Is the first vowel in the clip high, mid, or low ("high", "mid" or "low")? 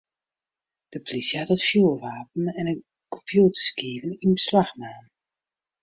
mid